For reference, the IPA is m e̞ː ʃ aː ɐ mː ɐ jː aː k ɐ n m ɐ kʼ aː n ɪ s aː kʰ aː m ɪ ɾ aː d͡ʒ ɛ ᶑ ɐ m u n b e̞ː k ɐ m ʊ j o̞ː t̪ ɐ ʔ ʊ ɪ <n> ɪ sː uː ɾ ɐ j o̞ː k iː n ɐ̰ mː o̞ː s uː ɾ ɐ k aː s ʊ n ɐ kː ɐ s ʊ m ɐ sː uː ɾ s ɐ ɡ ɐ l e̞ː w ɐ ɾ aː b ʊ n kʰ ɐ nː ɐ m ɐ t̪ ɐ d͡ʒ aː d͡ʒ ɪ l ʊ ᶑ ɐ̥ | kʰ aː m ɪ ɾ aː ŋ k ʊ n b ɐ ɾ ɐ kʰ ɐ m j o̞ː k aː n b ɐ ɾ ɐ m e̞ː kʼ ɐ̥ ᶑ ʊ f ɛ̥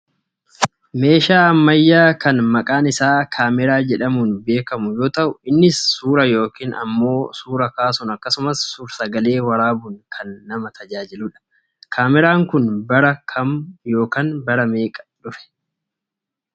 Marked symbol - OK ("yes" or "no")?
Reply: no